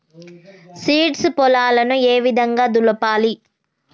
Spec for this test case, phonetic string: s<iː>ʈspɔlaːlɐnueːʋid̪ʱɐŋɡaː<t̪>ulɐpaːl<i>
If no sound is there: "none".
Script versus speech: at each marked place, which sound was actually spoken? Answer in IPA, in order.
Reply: iː, d̪, i

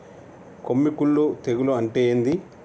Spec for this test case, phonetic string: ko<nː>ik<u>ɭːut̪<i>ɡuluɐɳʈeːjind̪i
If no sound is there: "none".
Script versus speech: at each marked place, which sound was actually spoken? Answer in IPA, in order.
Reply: mː, u, e

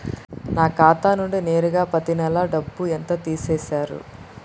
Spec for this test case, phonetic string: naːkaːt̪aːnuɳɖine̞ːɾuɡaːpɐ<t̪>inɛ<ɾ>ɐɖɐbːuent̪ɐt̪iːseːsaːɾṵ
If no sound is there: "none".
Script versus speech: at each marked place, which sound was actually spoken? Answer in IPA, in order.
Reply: t̪, l

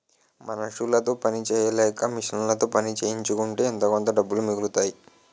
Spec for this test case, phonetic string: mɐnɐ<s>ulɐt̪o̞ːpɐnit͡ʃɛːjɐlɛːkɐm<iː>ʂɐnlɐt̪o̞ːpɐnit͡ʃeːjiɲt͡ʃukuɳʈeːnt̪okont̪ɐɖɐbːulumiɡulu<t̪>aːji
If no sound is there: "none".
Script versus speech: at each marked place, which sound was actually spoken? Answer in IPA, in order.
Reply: ʂ, i, t̪

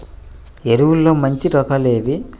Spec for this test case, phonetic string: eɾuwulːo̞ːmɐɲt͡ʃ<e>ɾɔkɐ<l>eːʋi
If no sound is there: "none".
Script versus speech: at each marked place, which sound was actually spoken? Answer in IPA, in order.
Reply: i, l

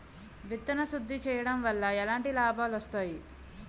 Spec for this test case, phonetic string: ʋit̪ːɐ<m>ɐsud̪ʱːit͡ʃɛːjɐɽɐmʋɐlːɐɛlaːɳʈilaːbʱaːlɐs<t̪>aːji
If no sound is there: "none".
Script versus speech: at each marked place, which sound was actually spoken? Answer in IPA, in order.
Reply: n, t̪

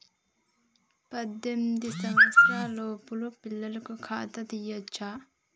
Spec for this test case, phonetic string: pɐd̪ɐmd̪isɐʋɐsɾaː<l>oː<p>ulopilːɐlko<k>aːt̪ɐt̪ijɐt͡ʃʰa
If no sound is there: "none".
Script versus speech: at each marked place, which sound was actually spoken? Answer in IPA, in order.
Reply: l, p, kʰ

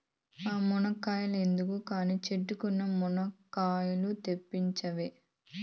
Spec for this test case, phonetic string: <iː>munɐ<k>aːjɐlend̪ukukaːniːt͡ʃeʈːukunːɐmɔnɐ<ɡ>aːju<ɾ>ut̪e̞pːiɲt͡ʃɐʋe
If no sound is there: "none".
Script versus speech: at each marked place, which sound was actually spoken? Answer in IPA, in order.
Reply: aː, k, k, l

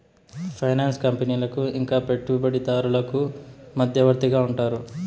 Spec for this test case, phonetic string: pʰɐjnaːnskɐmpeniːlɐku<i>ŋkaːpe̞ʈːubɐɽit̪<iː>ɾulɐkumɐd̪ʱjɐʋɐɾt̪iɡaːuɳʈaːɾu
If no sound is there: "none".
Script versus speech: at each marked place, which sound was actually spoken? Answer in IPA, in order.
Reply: i, aː

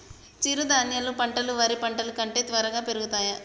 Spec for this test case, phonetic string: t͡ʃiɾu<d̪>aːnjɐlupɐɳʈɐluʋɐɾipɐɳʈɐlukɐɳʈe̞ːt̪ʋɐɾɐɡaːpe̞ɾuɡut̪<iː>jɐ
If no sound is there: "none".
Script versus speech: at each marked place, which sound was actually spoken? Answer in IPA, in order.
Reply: d̪, aː

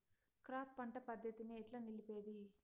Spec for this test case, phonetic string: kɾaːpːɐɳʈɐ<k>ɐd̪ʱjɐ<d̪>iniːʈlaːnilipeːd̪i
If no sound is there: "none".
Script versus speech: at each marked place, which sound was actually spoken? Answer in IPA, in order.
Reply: p, t̪

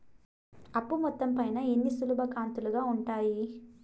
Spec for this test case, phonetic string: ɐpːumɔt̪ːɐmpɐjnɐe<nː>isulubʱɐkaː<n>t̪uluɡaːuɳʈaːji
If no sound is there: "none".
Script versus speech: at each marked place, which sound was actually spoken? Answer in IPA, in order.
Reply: nː, n

